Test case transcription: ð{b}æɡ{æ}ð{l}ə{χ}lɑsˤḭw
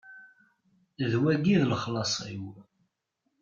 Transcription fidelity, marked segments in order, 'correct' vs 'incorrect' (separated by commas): incorrect, incorrect, correct, correct